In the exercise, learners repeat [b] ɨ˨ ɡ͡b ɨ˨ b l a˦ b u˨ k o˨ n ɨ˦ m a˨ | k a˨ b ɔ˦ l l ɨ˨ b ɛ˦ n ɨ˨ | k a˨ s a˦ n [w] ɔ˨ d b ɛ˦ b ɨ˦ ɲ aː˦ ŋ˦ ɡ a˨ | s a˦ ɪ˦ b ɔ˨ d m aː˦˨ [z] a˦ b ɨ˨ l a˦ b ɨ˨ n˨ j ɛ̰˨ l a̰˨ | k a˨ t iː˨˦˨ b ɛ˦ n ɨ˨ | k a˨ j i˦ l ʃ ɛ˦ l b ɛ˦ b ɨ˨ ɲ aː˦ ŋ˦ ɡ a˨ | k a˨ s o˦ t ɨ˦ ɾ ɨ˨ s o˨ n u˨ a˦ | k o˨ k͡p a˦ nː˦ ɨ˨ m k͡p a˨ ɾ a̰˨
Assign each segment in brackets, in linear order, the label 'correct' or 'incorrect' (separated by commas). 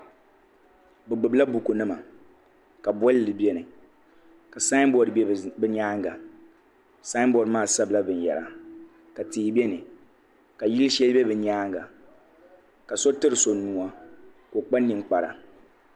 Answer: correct, incorrect, incorrect